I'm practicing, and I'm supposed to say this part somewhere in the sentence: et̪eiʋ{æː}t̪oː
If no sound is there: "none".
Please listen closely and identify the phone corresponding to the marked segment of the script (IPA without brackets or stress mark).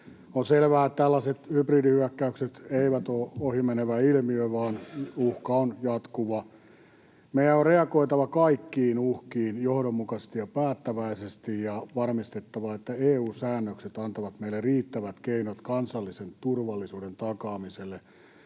æ